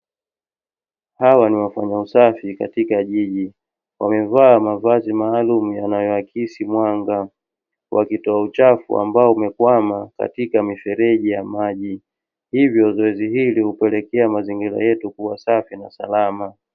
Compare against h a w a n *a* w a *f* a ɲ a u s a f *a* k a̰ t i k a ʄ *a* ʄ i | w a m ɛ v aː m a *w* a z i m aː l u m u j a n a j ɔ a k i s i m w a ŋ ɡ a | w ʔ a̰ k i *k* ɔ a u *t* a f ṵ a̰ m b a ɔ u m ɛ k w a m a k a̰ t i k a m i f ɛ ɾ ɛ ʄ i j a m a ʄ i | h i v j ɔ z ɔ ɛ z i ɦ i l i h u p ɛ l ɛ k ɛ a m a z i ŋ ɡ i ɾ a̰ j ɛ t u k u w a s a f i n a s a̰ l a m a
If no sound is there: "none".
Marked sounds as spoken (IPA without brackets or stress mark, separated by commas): i, f, i, i, v, t, t͡ʃ